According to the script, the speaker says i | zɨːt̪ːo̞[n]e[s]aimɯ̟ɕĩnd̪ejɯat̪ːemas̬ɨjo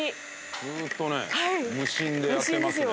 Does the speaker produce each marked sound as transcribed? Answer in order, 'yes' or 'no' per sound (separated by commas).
yes, no